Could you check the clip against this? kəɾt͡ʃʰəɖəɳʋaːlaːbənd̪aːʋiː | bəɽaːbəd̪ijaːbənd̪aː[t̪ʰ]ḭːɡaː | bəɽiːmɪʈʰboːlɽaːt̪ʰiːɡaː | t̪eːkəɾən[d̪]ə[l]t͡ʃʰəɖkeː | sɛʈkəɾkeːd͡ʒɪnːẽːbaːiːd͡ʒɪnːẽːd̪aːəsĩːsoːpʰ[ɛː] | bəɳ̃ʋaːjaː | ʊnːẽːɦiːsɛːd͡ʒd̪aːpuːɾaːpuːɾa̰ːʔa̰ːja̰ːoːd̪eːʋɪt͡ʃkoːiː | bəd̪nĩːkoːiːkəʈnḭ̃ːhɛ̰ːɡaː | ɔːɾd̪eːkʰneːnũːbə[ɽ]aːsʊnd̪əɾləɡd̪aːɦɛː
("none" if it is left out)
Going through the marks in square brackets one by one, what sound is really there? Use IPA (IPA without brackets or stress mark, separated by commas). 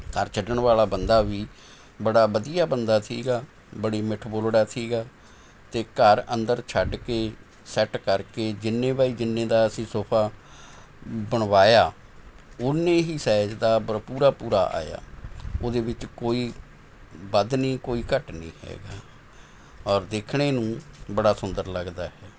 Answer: t̪ʰ, d̪, ɾ, aː, ɽ